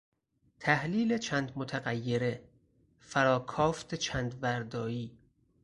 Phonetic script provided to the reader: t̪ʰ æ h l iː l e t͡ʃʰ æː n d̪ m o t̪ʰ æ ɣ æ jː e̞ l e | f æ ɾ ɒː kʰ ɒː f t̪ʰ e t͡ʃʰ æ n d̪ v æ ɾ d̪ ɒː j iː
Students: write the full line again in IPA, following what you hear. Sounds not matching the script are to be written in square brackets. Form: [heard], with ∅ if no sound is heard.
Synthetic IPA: t̪ʰ æ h l iː l e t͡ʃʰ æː n d̪ m o t̪ʰ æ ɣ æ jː e̞ [ɾ] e | f æ ɾ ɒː kʰ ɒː f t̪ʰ e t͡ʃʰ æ n d̪ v æ ɾ d̪ ɒː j iː